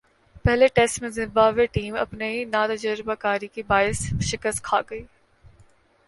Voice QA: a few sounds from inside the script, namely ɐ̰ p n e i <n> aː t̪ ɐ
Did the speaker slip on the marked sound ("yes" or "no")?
no